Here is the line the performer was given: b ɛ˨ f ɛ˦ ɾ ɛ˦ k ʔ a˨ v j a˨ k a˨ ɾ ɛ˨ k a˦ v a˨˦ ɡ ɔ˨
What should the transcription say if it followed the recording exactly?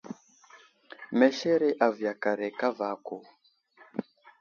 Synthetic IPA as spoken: m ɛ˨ ʃ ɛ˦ ɾ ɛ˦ ʔ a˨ v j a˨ k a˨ ɾ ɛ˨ k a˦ v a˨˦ k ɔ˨